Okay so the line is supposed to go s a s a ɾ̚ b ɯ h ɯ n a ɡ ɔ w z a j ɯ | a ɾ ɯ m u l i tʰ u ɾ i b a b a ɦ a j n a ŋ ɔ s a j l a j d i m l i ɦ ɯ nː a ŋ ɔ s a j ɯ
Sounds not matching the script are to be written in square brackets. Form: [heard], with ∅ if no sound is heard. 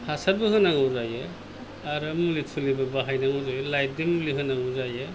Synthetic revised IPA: [h] a s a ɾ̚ b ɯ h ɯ n a [ŋ] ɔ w z a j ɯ | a ɾ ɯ m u l i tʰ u [l] i b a b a ɦ a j n a ŋ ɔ [z] a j l a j d i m l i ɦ ɯ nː a ŋ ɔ [z] a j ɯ

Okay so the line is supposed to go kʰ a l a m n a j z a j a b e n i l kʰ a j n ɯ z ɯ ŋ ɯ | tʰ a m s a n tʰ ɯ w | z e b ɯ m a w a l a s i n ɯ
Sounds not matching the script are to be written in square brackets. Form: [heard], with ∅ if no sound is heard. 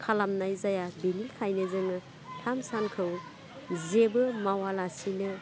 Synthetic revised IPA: kʰ a l a m n a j z a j a b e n i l kʰ a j n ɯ z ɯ ŋ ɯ | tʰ a m s a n [kʰ] ɯ w | z e b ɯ m a w a l a s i n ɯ

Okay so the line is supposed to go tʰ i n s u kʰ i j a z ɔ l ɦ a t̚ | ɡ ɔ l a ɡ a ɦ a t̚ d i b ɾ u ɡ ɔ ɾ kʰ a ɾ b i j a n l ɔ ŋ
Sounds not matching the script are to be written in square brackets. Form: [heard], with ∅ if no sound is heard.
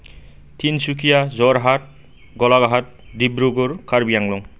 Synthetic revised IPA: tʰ i n s u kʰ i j a z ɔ [ɾ] ɦ a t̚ | ɡ ɔ l a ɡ a ɦ a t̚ d i b ɾ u ɡ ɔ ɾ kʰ a ɾ b i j a [ŋ] l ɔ ŋ

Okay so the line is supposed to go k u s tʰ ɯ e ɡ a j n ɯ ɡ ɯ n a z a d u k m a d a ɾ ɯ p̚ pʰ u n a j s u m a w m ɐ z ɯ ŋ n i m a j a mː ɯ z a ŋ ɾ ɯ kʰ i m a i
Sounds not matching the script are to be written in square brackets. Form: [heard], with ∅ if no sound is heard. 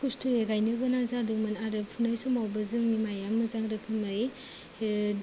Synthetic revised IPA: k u s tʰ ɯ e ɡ a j n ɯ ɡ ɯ n a z a d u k m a [n] a ɾ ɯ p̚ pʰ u n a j s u m a w [b] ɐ z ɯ ŋ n i m a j a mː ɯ z a ŋ ɾ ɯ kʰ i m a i

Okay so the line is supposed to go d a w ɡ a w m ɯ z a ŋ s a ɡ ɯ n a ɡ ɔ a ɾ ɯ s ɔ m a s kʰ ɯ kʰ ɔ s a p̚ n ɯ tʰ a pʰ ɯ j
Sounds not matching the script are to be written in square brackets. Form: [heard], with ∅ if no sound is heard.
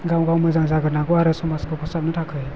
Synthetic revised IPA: [ɡ] a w ɡ a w m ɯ z a ŋ [z] a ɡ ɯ n a ɡ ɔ a ɾ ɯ s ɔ m a s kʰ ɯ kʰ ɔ s a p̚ n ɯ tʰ a [kʰ] ɯ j

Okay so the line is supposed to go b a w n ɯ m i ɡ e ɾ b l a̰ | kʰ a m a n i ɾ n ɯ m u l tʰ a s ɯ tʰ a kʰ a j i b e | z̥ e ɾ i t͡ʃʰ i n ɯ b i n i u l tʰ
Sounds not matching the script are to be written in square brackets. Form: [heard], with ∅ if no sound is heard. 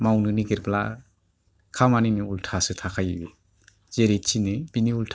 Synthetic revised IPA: [m] a w n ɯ [n] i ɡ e ɾ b l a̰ | kʰ a m a n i [∅] n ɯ [∅] u l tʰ a s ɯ tʰ a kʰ a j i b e | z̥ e ɾ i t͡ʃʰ i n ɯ b i n i u l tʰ

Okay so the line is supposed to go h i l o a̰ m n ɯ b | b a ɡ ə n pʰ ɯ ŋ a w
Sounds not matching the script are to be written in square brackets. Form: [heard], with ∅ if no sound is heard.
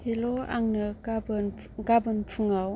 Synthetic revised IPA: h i l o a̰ [ŋ] n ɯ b | [ɡ] a [b] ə n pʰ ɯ ŋ a w

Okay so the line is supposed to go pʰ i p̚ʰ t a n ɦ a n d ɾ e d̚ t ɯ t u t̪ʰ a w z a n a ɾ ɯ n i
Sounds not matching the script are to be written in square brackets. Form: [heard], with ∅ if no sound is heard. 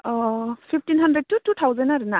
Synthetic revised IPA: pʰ i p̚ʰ t [i] n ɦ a n d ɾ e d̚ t [u] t u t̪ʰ a w z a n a ɾ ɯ n [a]

